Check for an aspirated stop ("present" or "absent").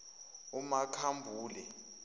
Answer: present